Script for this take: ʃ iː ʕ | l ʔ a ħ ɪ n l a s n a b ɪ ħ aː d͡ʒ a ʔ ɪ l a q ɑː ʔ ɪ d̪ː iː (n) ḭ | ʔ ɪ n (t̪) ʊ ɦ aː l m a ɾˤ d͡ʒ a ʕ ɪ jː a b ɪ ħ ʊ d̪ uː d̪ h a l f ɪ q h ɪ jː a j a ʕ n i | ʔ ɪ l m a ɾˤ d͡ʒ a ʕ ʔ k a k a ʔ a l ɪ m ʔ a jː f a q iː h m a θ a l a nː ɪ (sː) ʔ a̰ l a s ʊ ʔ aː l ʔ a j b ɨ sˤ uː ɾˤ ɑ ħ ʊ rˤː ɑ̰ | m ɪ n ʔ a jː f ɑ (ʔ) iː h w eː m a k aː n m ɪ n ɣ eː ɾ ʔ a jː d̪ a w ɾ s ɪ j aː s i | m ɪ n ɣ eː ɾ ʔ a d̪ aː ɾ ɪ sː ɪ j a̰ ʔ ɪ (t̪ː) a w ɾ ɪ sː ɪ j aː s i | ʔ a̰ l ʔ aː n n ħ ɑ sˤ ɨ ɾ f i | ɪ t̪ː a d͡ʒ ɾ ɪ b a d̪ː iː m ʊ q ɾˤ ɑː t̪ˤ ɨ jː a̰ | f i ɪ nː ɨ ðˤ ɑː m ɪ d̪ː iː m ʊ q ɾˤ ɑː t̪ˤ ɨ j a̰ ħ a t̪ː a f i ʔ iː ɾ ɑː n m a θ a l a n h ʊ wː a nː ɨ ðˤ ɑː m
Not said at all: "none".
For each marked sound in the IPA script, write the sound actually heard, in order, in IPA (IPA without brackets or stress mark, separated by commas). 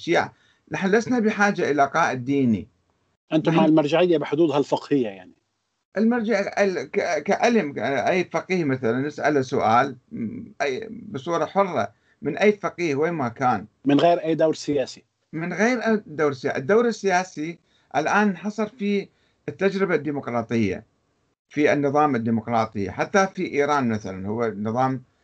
n, t̪, s, q, d̪ː